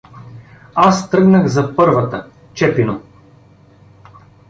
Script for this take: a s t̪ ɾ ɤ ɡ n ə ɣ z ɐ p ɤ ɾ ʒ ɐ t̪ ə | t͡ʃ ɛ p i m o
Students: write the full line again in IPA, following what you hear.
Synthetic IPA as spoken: a s t̪ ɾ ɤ ɡ n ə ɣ z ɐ p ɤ ɾ v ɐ t̪ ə | t͡ʃ ɛ p i n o